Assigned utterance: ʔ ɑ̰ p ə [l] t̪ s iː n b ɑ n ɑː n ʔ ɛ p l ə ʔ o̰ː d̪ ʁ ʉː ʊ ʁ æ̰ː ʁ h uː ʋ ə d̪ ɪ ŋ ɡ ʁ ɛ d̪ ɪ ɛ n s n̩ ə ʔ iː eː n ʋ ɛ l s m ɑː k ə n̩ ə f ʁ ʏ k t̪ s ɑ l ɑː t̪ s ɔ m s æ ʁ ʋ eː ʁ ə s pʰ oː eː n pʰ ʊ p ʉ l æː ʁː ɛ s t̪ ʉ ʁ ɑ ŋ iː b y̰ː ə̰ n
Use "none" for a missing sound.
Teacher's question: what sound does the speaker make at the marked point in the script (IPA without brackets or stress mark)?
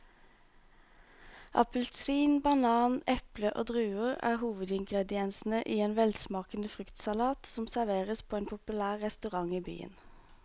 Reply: l